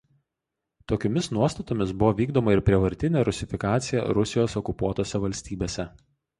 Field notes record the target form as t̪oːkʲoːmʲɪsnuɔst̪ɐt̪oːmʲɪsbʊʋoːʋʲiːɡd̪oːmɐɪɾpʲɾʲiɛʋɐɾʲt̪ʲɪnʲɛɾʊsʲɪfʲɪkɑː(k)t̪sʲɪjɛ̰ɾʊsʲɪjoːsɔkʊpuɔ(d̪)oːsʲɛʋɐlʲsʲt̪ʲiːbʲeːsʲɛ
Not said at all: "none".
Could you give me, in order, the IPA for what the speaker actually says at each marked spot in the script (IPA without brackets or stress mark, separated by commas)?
none, t̪